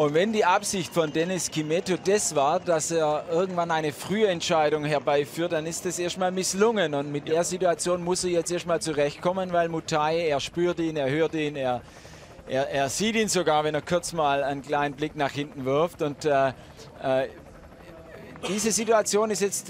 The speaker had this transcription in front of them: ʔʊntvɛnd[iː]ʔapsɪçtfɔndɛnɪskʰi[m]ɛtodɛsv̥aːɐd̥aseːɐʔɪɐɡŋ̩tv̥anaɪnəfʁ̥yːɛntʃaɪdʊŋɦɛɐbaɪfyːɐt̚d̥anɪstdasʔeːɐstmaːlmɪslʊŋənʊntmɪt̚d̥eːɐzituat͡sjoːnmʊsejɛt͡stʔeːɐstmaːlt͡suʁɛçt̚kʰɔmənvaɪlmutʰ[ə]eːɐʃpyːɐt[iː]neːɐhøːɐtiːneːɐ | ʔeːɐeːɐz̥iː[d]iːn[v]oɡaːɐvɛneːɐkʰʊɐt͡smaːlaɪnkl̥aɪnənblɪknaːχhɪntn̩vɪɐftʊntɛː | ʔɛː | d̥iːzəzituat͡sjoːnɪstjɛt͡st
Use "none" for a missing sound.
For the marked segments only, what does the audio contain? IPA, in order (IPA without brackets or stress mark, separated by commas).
iː, m, a, iː, t, z